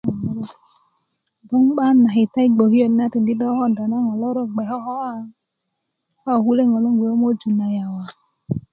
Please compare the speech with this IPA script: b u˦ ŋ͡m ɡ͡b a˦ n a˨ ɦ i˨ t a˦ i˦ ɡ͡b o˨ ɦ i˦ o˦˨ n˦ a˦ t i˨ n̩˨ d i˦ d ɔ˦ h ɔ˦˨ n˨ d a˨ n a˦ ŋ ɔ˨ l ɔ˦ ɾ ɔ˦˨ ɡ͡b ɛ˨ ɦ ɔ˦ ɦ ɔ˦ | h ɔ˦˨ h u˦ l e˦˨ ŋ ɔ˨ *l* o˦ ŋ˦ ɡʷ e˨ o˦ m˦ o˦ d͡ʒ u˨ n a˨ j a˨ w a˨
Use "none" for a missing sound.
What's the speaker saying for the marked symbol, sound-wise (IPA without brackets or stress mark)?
l